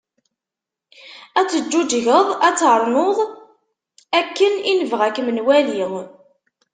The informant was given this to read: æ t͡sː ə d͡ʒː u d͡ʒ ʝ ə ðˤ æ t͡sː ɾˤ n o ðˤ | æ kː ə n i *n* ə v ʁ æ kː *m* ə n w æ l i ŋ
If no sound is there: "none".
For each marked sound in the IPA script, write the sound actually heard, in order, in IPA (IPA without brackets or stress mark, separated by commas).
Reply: n, m